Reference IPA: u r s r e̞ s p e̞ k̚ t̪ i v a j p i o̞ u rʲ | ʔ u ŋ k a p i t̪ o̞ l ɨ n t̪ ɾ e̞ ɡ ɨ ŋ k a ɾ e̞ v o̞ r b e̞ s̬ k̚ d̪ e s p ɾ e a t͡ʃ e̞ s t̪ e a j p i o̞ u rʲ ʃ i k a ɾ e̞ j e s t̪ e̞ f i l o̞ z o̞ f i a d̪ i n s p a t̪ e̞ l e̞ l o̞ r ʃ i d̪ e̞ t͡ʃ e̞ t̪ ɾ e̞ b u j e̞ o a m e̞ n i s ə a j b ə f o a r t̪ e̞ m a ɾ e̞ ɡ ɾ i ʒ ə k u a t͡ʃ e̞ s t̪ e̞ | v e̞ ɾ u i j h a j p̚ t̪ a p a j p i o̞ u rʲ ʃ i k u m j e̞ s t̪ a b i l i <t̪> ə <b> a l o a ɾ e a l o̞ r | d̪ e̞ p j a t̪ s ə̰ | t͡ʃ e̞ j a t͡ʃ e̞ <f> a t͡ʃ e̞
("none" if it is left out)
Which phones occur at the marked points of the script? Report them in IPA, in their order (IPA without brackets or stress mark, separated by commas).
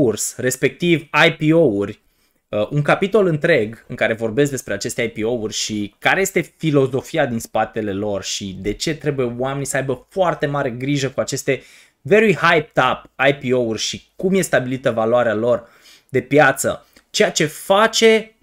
t̪, v, f